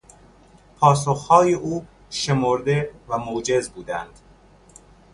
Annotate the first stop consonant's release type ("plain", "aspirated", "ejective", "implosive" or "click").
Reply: aspirated